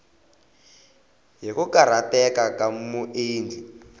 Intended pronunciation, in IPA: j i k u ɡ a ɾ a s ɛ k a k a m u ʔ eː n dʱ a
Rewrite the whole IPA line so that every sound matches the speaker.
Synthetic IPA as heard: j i k u k a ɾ a t ɛ k a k a m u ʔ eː n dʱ i

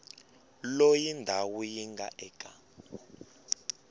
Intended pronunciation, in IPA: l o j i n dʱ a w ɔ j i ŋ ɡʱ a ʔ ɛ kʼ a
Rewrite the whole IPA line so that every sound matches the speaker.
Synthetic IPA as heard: l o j i n dʱ a w u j i ŋ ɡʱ a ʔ ɛ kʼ a

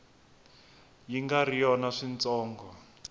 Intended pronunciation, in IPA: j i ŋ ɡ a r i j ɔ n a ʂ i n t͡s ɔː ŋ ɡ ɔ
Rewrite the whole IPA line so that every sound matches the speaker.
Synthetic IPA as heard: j i ŋ ɡ a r i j ɔ n a ʂ i n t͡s ɔː ŋ ɡ ɔ

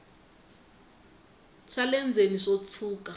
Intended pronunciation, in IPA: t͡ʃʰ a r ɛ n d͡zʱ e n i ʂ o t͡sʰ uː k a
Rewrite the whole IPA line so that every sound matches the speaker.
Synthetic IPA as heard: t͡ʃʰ a l ɛ n d͡zʱ e n i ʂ o t͡sʰ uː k a

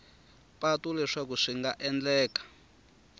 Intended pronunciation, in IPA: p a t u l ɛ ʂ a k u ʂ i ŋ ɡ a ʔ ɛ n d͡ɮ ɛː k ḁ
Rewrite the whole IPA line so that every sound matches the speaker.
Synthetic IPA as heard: p a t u l ɛ ʂ a k u ʂ i ŋ ɡ a ʔ ɛ n d͡ɮ ɛː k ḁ

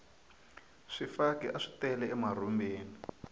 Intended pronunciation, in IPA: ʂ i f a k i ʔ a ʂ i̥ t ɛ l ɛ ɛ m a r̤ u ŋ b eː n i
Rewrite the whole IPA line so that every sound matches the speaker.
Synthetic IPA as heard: ʂ i f a k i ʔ a ʂ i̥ t ɛ l ɛ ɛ m a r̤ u m b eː n i

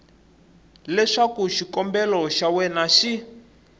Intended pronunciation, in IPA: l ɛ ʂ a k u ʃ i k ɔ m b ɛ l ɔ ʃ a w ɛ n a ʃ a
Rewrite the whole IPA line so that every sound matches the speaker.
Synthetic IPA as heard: l ɛ ʂ a k u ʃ i k ɔ m b ɛ l ɔ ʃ a w ɛ n a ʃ i

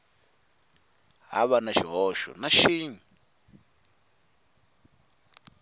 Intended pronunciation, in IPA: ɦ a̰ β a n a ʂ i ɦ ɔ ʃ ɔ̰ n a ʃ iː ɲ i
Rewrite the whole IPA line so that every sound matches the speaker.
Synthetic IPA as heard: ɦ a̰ β a n a ʃ i ɦ ɔ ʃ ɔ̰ n a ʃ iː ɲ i

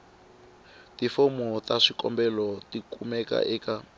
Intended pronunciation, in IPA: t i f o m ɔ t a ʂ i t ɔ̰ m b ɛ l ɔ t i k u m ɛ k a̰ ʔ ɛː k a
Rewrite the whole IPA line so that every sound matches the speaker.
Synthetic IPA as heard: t i f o m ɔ t a ʂ i k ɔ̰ m b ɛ l ɔ t i k u m ɛ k a̰ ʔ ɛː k a

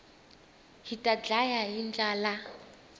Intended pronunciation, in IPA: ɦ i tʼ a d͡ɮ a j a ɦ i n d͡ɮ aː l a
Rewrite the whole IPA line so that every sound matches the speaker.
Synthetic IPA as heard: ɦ i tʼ a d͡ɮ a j a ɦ i n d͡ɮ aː l a

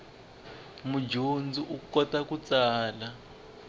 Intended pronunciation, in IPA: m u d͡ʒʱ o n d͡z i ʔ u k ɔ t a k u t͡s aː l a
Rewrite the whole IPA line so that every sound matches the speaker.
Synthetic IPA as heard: m u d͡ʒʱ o n d͡z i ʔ u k ɔ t a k u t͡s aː l a

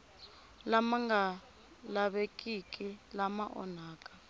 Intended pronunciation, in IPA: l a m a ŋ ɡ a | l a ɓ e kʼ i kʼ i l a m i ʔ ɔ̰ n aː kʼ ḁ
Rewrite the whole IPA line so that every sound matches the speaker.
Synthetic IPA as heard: l a m a ŋ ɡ a | l a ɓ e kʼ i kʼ i l a m a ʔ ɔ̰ n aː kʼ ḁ

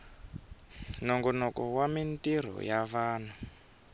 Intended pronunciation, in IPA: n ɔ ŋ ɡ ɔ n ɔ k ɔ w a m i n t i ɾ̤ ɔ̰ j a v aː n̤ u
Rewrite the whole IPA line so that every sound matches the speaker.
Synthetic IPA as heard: n ɔ ŋ ɡ ɔ n ɔ k ɔ w a m i n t i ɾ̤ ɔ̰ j a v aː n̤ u

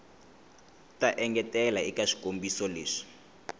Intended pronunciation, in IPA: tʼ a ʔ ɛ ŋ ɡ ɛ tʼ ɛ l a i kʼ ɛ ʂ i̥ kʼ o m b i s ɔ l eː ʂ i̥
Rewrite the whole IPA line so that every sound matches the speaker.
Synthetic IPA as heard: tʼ a ʔ ɛ ŋ ɡ ɛ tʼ ɛ l a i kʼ a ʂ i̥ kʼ o m b i s ɔ l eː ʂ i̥

